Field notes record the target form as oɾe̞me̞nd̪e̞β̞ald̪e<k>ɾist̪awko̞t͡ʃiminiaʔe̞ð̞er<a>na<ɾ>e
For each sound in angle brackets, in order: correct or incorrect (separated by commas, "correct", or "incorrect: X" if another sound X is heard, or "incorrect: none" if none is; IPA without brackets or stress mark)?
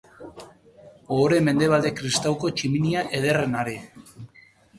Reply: correct, incorrect: e, correct